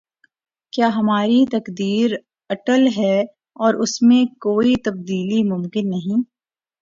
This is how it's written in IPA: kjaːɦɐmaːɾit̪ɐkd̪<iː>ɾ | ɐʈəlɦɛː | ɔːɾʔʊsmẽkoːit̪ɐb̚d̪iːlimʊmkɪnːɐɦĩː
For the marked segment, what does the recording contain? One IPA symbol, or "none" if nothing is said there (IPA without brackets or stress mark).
iː